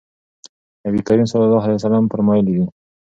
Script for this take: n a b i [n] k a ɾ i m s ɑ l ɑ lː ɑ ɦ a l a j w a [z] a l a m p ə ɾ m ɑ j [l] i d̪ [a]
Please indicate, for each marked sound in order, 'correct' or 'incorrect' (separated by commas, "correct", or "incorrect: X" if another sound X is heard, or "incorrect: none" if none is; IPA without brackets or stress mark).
incorrect: none, incorrect: s, correct, incorrect: i